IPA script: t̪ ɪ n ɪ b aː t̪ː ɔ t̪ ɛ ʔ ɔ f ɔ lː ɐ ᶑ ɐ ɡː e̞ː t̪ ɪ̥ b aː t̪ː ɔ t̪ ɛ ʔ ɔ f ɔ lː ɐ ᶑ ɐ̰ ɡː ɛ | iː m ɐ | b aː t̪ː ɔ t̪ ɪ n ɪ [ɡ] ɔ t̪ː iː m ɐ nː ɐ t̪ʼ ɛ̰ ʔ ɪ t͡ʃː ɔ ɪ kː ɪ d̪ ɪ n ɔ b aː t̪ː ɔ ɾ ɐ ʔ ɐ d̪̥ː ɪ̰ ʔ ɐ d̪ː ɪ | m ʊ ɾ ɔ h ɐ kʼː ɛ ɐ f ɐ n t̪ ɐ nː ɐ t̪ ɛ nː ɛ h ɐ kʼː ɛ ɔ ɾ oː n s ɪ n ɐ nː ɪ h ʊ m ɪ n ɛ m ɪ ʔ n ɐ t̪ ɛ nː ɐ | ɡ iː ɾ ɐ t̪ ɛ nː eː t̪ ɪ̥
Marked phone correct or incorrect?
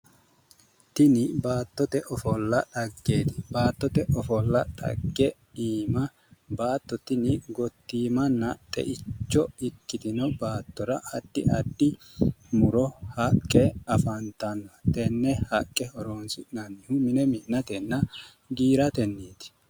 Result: correct